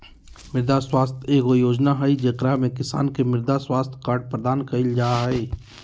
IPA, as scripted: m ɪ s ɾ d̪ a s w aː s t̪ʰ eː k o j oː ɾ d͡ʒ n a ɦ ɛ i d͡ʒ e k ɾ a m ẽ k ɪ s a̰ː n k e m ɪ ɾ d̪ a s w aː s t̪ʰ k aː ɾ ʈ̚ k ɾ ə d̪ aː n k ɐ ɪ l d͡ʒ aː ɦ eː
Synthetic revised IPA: m ɪ ɾ d̪ a s w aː s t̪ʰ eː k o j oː d͡ʒ n a ɦ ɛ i d͡ʒ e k ɾ a m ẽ k ɪ s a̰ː n k e m ɪ ɾ d̪ a s w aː s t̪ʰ k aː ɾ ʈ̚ p ɾ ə d̪ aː n k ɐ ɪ l d͡ʒ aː ɦ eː